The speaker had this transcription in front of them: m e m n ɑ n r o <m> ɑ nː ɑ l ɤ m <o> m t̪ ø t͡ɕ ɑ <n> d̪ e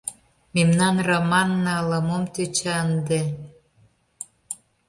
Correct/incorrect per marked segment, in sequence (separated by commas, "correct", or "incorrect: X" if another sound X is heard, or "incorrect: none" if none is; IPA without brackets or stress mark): correct, correct, correct